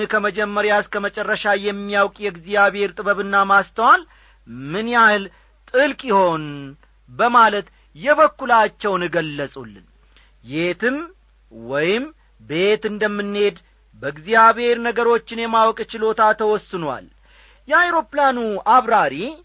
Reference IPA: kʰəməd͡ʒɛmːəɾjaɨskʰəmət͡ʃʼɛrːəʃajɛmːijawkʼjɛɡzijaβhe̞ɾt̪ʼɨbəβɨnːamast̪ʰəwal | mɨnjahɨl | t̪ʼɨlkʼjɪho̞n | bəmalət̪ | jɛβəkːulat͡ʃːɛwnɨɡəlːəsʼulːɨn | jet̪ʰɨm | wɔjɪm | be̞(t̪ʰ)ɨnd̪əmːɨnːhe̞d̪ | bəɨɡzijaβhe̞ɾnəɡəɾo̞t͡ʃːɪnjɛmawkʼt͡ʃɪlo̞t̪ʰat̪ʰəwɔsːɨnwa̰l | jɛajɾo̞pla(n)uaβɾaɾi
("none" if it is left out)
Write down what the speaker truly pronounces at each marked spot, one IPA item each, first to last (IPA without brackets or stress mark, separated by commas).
t̪, n